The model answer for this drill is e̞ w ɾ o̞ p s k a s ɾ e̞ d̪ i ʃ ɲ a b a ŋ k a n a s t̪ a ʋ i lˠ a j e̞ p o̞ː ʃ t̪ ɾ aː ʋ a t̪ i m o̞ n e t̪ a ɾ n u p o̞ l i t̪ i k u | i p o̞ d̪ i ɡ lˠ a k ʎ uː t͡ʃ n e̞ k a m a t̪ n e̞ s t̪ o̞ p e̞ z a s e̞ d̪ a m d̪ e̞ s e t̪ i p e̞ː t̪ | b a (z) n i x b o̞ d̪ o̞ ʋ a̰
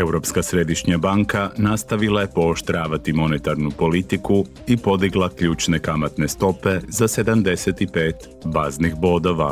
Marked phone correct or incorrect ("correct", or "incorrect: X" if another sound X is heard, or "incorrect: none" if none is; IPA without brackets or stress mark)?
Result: correct